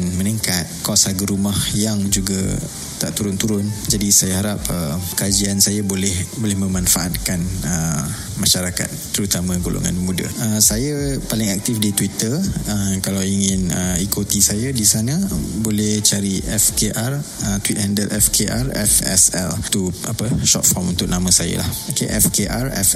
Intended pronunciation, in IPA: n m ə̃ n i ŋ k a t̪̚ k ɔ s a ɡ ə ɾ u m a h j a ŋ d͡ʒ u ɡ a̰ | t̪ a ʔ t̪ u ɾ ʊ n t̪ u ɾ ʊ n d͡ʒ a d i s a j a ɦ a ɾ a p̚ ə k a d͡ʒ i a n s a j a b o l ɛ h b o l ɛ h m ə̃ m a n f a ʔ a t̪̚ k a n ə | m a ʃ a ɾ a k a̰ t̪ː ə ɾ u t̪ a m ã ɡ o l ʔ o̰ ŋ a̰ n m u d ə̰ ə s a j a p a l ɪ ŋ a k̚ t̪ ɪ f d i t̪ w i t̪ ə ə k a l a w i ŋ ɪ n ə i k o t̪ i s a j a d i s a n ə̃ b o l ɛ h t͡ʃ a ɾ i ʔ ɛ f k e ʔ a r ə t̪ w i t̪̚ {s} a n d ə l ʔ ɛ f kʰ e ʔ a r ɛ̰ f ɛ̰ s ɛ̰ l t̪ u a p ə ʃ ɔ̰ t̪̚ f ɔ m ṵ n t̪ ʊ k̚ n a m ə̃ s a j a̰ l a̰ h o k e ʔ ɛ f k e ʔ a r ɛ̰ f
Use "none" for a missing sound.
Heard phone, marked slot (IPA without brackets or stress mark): h